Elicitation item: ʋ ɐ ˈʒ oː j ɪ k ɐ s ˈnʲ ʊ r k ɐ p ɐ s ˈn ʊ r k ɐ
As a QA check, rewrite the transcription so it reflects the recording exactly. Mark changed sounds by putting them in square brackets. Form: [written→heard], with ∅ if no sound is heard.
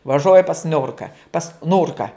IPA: ʋ ɐ ˈʒ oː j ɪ [k→p] ɐ s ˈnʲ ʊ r k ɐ p ɐ s ˈn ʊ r k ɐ